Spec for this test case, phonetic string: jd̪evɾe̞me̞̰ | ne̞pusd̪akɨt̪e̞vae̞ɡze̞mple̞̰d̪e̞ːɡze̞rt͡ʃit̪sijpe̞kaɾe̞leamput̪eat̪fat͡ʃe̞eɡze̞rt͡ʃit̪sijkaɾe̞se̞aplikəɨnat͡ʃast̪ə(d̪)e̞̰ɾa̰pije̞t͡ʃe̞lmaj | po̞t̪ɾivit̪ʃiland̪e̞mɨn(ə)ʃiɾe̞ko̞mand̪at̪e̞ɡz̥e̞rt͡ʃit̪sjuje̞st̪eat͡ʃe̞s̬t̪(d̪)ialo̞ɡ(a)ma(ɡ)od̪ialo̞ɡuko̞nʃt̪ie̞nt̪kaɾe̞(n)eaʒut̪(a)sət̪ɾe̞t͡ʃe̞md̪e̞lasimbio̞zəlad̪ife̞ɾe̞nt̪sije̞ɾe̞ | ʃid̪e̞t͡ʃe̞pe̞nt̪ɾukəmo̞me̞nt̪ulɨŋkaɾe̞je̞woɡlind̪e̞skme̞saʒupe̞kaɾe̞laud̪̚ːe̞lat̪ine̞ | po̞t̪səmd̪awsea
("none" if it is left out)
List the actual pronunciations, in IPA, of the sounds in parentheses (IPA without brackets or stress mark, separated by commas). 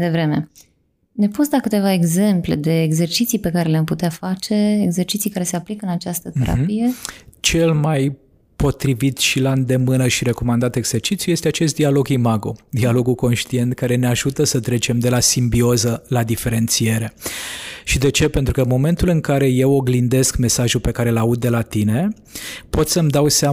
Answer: t̪, ə, d̪, i, ɡ, n, ə